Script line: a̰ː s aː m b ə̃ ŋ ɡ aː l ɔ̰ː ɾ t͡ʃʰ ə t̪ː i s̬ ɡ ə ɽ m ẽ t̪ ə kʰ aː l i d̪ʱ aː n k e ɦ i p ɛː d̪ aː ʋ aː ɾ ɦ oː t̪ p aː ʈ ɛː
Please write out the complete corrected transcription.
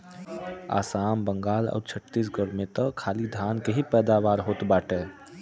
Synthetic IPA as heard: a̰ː s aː m b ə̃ ŋ ɡ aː l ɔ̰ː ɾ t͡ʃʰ ə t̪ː i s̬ ɡ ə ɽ m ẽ t̪ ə kʰ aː l i d̪ʱ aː n k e ɦ i p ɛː d̪ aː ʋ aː ɾ ɦ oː t̪ b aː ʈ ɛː